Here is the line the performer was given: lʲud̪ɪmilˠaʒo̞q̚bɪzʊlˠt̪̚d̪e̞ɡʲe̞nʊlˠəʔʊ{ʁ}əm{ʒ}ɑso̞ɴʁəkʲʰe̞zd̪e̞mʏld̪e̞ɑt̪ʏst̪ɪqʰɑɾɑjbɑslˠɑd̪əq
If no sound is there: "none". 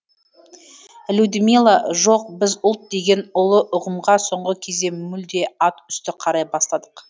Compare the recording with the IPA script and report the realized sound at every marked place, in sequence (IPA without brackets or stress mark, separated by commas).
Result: ʁ, ʁ